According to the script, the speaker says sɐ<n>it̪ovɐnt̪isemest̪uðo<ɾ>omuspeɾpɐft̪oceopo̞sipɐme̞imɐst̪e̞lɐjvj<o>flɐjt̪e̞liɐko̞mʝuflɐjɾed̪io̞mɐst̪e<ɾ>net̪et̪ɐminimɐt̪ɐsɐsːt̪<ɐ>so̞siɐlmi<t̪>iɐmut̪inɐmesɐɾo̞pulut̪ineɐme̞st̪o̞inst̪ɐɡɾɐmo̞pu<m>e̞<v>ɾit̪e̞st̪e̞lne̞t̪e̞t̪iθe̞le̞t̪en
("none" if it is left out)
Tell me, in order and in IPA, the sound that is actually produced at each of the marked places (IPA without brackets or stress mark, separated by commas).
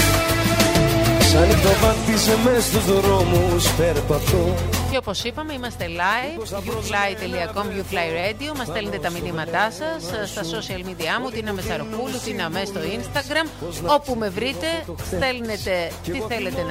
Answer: n, ɾ, u, l, ɐ, d̪, m, v